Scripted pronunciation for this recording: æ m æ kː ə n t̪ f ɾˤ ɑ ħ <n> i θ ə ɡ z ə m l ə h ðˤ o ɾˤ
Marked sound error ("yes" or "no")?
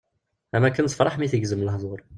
yes